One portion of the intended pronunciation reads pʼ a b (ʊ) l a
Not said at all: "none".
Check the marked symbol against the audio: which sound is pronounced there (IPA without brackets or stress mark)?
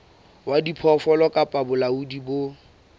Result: ʊ